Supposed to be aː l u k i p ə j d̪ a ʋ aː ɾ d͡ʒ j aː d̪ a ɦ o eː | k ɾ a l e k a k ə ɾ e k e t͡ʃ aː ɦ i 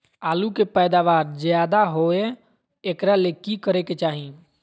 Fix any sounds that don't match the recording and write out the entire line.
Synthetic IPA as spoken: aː l u k e p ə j d̪ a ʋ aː ɾ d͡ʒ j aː d̪ a ɦ o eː | k ɾ a l e k i k ə ɾ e k e t͡ʃ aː ɦ i